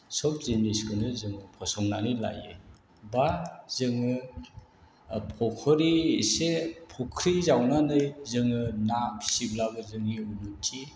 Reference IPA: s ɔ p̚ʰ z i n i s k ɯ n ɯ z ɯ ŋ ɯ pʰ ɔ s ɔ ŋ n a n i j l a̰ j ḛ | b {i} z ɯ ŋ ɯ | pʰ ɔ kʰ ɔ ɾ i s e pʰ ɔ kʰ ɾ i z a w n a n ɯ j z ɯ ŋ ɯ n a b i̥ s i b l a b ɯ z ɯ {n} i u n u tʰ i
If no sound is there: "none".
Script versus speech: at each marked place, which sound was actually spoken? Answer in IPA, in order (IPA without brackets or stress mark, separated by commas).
a, ŋ